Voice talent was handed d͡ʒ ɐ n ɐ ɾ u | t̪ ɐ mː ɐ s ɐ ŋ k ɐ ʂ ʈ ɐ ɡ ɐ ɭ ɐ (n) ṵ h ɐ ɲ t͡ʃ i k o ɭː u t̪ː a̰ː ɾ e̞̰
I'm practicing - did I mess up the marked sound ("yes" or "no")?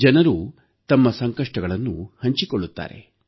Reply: yes